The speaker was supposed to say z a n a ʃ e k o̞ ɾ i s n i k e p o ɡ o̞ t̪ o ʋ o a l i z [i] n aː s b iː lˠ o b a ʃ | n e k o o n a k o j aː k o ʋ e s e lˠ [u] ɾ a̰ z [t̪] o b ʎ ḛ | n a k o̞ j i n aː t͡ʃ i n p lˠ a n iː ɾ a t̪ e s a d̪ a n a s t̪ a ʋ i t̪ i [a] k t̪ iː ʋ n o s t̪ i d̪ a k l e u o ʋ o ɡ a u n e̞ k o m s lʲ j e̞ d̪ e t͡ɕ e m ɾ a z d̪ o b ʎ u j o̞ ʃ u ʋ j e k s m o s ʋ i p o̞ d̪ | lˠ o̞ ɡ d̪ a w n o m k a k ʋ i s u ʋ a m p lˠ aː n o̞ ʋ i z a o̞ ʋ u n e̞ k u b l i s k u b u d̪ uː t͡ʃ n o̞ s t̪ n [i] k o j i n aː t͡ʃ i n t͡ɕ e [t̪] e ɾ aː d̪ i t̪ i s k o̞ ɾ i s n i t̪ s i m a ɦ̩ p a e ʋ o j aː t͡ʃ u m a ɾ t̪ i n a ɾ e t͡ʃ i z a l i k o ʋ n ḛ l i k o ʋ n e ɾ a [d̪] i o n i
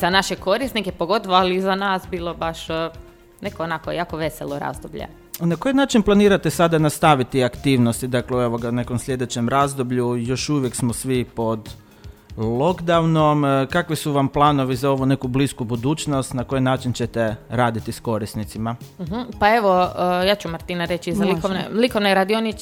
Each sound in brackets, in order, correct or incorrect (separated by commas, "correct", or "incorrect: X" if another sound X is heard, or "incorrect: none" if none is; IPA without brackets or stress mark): incorrect: a, incorrect: o, incorrect: d̪, correct, incorrect: a, correct, correct